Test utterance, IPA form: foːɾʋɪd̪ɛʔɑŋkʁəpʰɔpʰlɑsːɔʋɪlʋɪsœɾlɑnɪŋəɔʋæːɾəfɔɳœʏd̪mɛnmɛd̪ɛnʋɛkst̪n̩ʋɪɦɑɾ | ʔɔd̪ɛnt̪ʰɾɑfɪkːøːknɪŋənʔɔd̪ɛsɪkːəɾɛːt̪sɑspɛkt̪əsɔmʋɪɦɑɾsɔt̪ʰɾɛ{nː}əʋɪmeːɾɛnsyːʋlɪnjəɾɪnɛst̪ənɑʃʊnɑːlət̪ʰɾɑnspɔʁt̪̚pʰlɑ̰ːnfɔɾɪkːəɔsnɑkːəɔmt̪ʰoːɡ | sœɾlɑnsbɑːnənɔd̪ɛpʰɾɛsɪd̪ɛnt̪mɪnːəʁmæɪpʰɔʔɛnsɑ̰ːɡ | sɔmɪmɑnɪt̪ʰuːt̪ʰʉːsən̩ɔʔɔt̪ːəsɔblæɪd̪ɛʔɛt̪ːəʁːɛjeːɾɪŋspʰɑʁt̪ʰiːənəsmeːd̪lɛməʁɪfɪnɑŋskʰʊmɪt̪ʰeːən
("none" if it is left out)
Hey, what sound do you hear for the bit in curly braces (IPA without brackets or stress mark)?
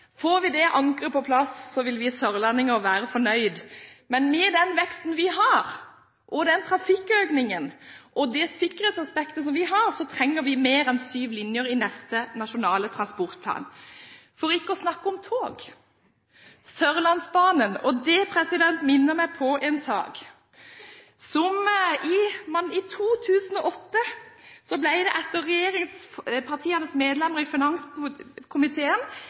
ŋː